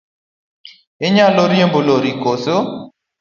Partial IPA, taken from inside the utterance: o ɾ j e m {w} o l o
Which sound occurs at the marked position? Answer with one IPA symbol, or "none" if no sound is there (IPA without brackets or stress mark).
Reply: b